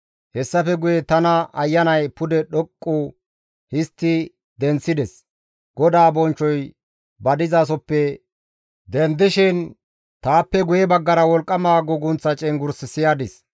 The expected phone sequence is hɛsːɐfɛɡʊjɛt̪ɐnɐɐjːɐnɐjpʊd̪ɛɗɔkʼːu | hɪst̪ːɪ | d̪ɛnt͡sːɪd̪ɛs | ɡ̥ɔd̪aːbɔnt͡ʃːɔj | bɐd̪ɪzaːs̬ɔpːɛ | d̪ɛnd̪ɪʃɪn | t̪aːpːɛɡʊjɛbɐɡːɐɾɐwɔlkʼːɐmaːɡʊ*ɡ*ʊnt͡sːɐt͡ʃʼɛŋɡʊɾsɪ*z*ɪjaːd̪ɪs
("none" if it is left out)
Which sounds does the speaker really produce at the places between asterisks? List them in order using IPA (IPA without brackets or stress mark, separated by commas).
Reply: ɡ, s